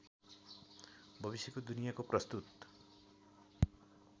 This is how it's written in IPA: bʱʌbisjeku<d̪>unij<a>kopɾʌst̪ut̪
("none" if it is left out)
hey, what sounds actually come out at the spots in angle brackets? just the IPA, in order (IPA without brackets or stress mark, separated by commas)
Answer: d̪, a